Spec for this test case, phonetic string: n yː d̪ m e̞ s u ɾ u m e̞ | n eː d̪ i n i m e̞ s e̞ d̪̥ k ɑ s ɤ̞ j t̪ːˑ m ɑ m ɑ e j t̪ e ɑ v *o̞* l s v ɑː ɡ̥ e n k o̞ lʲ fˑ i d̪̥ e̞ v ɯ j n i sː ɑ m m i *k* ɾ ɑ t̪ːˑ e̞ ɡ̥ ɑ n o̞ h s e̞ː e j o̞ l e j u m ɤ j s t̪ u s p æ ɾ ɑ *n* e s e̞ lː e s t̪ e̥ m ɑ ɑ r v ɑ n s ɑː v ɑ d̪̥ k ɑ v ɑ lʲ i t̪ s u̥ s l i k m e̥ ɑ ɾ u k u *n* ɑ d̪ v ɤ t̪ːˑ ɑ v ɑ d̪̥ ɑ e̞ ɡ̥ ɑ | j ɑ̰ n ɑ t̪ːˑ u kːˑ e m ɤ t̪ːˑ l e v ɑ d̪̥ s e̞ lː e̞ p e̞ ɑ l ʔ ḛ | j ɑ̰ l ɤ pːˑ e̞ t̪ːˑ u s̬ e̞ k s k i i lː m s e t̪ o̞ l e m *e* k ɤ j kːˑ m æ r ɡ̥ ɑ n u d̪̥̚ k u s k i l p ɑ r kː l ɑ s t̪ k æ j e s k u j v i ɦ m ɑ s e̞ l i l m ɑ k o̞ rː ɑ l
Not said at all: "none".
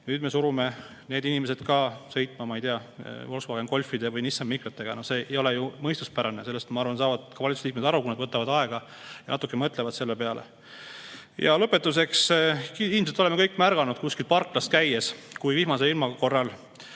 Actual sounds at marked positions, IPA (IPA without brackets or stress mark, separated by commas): o̞, k, n, n, e